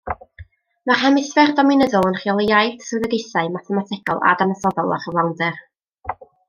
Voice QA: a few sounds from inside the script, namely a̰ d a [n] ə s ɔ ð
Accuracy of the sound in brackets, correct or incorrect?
correct